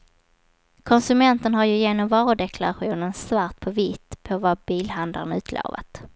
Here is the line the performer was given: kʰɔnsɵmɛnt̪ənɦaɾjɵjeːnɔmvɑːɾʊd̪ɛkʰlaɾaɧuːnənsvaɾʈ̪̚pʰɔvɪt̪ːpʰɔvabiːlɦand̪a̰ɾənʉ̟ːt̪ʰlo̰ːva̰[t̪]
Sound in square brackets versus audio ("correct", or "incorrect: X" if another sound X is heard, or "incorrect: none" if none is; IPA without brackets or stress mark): correct